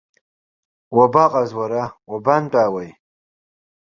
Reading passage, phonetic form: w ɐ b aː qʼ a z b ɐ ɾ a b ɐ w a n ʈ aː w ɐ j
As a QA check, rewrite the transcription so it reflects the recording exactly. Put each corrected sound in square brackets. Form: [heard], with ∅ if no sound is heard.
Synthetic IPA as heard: w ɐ b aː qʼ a z [w] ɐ ɾ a [w] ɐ [b] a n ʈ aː w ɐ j